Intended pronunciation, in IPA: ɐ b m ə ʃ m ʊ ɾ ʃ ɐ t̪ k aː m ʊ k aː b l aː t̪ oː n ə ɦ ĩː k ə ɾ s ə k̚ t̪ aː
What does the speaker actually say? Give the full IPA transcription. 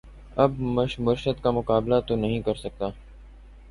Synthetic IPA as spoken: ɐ b m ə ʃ m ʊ ɾ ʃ ə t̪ k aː m ʊ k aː b l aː t̪ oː n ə ɦ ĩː k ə ɾ s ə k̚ t̪ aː